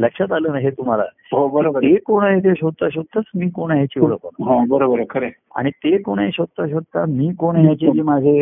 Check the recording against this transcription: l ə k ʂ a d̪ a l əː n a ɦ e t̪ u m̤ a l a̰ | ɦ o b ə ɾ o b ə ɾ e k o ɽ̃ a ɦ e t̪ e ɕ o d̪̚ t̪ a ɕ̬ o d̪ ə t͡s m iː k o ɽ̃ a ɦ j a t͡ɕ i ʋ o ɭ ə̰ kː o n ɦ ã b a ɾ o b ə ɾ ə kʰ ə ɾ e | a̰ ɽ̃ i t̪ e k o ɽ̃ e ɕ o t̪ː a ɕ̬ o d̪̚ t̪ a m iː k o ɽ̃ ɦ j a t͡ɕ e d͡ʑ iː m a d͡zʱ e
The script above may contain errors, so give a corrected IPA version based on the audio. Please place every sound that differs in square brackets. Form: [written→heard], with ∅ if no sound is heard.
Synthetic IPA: l ə k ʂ a [d̪→t̪] a l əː n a ɦ e t̪ u m̤ a l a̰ | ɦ o b ə ɾ o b ə ɾ e k o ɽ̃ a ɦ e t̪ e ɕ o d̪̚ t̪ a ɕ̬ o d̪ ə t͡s m iː k o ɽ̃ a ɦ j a t͡ɕ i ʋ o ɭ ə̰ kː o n ɦ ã b [a→ə] ɾ o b ə ɾ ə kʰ ə ɾ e | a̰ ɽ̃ i t̪ e k o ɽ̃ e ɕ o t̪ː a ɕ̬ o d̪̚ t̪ a m iː k o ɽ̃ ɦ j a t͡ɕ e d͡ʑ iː m a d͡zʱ e